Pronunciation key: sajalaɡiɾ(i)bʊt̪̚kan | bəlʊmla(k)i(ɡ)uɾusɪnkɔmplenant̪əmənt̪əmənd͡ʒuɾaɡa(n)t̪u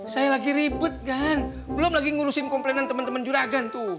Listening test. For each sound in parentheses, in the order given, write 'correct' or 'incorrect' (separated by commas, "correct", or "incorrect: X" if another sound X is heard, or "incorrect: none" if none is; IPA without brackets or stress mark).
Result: correct, incorrect: ɡ, incorrect: ŋ, correct